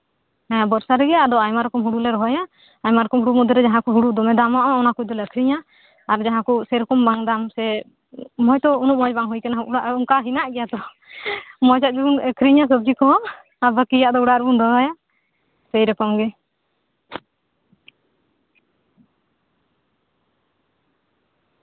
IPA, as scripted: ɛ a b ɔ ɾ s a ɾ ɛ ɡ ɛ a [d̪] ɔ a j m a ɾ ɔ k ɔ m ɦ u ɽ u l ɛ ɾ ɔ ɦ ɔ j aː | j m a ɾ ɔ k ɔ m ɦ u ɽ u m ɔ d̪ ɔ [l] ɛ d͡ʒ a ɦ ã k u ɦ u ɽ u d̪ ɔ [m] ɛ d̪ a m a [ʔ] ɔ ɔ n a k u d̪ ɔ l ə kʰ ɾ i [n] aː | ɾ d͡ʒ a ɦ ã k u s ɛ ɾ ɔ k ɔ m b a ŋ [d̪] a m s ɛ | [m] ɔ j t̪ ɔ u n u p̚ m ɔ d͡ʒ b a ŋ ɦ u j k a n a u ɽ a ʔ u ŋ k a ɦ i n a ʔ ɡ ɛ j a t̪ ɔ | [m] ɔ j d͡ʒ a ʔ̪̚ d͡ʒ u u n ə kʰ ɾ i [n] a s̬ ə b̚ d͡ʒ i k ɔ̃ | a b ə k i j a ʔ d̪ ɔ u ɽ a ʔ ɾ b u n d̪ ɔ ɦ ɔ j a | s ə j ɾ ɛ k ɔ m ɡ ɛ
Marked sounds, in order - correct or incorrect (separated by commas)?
correct, incorrect, correct, correct, incorrect, correct, correct, correct, incorrect